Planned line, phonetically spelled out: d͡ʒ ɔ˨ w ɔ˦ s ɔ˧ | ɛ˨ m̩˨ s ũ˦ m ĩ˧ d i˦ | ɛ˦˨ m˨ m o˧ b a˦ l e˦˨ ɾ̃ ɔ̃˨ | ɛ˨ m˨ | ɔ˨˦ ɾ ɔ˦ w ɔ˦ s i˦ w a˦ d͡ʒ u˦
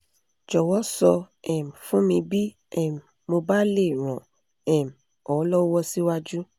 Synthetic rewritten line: d͡ʒ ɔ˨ w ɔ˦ s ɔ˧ | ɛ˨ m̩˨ f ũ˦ m ĩ˧ b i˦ | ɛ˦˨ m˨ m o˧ b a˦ l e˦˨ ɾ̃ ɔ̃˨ | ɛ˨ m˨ | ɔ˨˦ l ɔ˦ w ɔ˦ s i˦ w a˦ d͡ʒ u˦